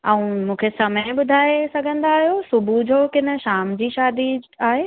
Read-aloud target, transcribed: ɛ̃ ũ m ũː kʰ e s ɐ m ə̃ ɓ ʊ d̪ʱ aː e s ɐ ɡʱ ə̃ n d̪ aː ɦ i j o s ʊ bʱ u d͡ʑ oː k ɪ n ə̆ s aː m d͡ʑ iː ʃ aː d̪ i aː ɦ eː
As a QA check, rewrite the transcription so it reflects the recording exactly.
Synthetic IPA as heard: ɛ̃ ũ m ũː kʰ e s ɐ m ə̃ ɓ ʊ d̪ʱ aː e s ɐ ɡʱ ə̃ n d̪ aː ɦ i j o s ʊ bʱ u d͡ʑ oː k ɪ n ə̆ ʃ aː m d͡ʑ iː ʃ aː d̪ i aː ɦ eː

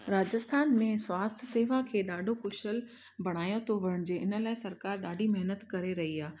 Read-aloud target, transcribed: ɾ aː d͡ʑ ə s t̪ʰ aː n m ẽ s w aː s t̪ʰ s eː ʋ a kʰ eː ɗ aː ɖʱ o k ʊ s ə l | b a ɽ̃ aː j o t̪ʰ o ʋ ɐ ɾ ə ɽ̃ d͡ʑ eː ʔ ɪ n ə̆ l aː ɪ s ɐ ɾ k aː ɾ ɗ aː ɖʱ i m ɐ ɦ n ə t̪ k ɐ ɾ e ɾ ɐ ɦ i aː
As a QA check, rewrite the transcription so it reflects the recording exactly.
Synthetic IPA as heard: ɾ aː d͡ʑ ə s t̪ʰ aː n m ẽ s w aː s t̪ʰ s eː ʋ a kʰ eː ɗ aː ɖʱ o k ʊ ʃ ə l | b ɐ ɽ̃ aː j o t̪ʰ o ʋ ɐ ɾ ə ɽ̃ d͡ʑ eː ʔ ɪ n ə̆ l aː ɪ s ɐ ɾ k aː ɾ ɗ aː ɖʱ i m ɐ ɦ n ə t̪ k ɐ ɾ e ɾ ɐ ɦ i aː

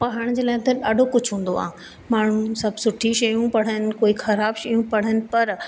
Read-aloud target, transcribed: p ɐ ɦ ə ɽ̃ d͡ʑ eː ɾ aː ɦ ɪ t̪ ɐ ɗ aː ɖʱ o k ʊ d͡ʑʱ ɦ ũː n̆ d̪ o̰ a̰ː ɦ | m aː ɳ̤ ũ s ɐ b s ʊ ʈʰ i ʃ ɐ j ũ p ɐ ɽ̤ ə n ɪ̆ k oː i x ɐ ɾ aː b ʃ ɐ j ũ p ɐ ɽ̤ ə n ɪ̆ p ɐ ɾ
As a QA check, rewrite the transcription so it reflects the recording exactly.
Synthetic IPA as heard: p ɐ ɦ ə ɽ̃ d͡ʑ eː l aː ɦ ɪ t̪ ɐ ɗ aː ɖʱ o k ʊ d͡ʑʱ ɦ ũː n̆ d̪ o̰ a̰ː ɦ | m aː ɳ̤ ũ s ɐ b s ʊ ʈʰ i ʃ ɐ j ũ p ɐ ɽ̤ ə n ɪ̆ k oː i x ɐ ɾ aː b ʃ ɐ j ũ p ɐ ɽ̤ ə n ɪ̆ p ɐ ɾ

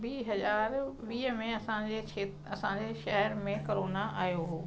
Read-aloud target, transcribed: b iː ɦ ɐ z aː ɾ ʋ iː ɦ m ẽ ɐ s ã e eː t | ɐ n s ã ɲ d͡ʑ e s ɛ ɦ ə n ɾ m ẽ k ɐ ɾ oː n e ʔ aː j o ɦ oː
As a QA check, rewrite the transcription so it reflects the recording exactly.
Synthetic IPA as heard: b iː ɦ ɐ z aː ɾ ʋ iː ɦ m ẽ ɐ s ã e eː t | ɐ s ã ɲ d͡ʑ e ʃ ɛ ɦ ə ɾ m ẽ k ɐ ɾ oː n a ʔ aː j o ɦ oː

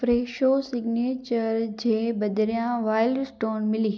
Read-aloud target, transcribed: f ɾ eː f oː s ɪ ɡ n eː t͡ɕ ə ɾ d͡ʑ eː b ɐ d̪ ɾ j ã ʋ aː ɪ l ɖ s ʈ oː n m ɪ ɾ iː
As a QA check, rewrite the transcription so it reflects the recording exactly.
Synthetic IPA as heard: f ɾ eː ʃ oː s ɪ ɡ n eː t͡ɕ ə ɾ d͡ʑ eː b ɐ d̪ ɾ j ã ʋ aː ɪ l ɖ s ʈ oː n m ɪ l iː

